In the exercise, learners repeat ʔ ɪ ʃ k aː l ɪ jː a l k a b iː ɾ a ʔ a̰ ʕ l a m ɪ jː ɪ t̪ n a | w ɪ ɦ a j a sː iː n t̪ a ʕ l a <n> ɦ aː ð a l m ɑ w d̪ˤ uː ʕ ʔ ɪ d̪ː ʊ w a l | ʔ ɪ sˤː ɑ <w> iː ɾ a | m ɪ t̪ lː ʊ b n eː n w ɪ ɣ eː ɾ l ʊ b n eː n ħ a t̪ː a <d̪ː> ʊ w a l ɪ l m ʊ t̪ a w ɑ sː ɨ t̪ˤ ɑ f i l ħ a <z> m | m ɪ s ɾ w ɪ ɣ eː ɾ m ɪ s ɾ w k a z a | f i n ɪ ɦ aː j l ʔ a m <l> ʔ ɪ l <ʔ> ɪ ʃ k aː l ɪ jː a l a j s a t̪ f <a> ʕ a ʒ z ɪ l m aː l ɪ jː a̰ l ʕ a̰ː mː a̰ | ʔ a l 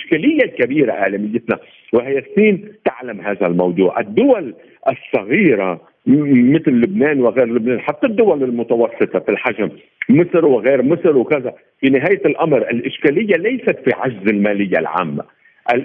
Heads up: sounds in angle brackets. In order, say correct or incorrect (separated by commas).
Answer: incorrect, incorrect, correct, incorrect, incorrect, correct, incorrect